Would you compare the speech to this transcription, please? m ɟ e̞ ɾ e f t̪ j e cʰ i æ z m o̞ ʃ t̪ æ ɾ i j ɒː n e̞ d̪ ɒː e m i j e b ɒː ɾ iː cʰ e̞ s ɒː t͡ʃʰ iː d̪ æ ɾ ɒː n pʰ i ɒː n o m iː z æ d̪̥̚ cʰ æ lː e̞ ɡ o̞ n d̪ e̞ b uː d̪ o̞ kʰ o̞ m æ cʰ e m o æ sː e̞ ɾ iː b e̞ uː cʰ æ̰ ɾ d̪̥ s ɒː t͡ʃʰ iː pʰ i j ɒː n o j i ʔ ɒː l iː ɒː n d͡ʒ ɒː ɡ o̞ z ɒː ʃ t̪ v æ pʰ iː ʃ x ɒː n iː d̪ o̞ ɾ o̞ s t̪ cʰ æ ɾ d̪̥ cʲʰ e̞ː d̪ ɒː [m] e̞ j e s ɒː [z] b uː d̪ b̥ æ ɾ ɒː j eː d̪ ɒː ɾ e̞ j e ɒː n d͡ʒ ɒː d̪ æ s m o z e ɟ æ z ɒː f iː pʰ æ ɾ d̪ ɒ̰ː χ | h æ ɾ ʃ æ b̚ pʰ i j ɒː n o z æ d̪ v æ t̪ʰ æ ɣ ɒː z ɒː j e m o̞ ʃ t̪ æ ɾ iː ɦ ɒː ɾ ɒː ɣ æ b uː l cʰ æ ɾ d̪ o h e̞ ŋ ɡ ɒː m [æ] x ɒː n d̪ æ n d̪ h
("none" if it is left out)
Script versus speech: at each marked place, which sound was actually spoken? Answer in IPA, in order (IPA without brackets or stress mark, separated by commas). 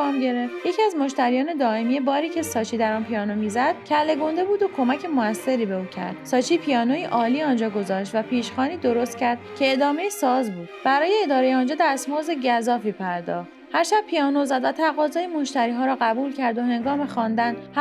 m, z, e